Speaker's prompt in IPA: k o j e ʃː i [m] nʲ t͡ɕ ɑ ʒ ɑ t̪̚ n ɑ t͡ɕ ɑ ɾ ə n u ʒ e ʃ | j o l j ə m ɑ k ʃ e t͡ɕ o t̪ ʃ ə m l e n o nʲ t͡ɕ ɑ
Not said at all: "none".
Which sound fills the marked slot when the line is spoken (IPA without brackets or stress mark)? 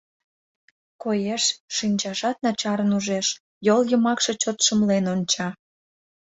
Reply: none